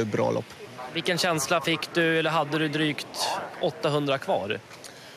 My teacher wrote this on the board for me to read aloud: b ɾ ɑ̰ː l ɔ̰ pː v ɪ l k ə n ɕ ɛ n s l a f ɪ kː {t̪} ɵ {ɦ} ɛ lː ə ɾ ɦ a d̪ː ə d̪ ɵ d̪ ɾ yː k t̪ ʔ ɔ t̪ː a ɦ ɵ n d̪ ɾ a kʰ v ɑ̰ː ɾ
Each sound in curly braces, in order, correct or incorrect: incorrect, incorrect

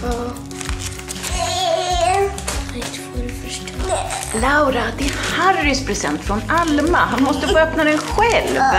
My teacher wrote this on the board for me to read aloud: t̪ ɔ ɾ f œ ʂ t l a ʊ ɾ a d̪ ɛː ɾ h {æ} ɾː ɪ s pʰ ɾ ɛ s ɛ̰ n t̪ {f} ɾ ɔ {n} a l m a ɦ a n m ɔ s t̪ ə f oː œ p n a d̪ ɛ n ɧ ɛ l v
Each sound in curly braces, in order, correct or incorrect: incorrect, correct, correct

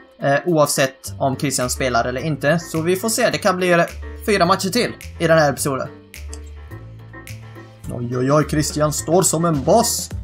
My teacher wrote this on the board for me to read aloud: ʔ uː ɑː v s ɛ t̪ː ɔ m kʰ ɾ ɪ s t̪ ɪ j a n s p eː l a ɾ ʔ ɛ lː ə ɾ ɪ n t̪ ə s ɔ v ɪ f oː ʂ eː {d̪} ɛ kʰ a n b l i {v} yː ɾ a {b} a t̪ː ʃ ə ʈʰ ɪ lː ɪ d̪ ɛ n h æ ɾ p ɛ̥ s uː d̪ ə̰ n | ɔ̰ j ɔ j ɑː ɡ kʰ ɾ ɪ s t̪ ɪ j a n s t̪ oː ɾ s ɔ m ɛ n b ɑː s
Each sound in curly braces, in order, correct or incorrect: correct, incorrect, incorrect

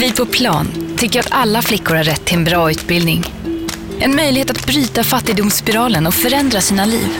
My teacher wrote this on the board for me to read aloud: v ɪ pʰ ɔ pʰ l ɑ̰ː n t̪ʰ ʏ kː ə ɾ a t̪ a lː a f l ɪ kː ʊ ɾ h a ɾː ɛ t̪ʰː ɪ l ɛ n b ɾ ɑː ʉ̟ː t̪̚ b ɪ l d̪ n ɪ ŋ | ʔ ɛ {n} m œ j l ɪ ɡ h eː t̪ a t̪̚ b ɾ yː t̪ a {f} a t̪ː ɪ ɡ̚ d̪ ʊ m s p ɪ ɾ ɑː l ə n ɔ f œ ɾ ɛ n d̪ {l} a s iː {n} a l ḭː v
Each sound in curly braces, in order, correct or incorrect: correct, correct, incorrect, correct

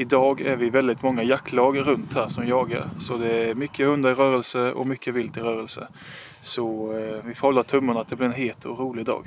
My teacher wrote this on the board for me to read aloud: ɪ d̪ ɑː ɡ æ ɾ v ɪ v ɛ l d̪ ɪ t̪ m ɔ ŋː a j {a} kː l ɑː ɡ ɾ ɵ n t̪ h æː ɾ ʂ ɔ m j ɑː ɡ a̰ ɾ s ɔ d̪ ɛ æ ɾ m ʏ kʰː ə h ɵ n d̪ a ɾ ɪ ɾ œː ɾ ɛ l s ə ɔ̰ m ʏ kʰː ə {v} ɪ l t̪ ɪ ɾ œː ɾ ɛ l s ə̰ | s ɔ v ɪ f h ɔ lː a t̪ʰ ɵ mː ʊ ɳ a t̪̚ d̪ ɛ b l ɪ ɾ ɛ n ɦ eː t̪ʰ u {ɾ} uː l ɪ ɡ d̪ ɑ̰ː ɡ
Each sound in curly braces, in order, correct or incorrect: correct, correct, correct

